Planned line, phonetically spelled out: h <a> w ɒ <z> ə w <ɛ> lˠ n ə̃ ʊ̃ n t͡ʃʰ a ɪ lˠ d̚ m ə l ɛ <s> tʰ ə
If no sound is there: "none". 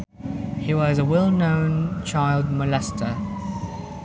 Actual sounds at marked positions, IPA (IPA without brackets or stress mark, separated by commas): i, z, ɛ, s